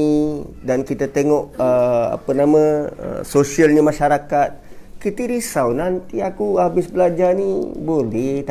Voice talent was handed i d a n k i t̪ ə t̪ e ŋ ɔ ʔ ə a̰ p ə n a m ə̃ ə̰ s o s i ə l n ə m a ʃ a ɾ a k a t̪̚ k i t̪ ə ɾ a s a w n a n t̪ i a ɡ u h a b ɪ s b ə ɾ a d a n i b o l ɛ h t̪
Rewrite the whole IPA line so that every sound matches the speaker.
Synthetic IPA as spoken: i d a n k i t̪ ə t̪ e ŋ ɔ ʔ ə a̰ p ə n a m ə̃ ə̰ s o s i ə l ɲ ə m a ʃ a ɾ a k a t̪̚ k i t̪ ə ɾ i s a w n a n t̪ i a k u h a b ɪ s b ə l a d͡ʒ a n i b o l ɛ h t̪